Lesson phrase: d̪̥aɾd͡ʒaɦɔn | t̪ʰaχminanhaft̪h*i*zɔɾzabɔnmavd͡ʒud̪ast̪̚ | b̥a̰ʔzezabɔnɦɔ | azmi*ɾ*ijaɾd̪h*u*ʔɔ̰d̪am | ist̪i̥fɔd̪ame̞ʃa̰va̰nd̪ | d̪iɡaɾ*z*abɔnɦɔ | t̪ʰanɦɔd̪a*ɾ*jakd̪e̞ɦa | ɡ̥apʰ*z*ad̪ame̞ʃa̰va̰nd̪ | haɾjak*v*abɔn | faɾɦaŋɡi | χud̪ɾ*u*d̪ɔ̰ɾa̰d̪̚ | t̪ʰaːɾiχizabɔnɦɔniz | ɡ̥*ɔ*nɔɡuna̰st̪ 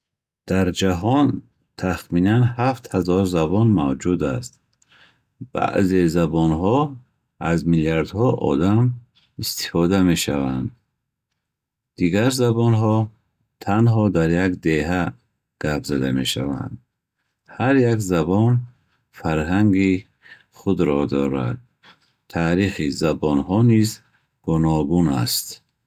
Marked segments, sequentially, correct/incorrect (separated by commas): incorrect, incorrect, incorrect, correct, correct, correct, incorrect, incorrect, incorrect